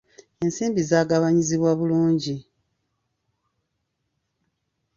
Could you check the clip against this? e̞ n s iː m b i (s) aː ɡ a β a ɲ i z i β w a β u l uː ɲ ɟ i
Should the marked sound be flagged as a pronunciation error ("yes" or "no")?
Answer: yes